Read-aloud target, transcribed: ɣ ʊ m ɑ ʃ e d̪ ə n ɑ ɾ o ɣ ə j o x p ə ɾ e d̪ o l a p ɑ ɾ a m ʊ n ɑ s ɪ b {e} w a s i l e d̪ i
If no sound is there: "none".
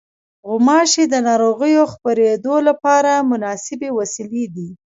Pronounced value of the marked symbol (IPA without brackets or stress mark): e